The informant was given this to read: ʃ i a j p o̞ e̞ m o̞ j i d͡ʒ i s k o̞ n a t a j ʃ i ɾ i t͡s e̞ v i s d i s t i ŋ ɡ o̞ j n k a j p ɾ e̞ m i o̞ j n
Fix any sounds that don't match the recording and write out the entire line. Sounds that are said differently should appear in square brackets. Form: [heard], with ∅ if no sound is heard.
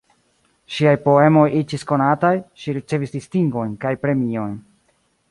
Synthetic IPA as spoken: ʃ i a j p o̞ e̞ m o̞ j i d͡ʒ i s k o̞ n a t a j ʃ i ɾ i t͡s e̞ v i s d i s t i ŋ ɡ o̞ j n k a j p ɾ e̞ m i o̞ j n